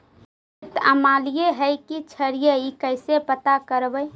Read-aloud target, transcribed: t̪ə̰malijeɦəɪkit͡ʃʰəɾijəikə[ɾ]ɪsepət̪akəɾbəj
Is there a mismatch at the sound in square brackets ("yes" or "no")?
yes